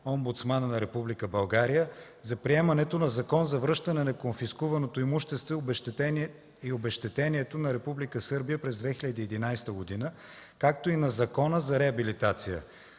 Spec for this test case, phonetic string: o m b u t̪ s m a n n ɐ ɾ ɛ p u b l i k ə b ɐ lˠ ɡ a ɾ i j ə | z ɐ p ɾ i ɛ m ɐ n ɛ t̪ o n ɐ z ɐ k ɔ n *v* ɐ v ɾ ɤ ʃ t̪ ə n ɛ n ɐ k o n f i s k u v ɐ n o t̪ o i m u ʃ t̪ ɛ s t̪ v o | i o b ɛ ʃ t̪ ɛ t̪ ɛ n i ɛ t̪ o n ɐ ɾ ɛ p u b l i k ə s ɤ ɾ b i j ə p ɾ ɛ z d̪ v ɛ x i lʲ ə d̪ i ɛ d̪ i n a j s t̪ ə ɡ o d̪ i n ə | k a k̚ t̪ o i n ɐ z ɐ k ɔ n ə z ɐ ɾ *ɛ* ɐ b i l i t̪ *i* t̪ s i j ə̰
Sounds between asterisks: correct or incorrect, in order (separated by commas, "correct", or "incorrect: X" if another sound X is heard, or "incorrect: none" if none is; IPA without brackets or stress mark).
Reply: incorrect: z, correct, incorrect: a